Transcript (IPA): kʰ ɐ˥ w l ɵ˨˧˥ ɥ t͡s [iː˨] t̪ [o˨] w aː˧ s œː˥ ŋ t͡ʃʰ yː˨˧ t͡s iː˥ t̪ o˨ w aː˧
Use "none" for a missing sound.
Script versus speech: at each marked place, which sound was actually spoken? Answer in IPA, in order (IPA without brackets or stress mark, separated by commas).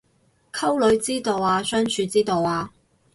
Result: iː˥, o˨